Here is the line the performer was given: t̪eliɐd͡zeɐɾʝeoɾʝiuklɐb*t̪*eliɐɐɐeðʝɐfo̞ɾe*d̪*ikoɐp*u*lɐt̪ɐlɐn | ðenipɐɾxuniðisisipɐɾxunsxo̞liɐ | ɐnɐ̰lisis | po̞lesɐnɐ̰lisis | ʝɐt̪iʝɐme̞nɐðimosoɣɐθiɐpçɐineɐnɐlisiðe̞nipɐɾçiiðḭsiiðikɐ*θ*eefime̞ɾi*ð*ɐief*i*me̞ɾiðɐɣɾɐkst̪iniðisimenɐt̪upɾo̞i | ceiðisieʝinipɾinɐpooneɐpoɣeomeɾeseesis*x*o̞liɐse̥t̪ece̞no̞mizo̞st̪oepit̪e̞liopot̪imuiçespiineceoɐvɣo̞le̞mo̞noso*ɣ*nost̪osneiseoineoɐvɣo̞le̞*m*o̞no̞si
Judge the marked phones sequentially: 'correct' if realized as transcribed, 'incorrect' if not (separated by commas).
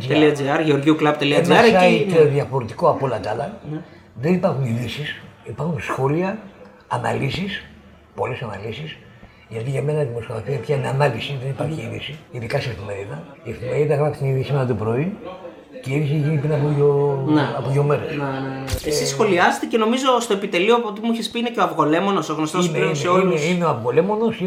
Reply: correct, incorrect, incorrect, incorrect, correct, correct, correct, correct, correct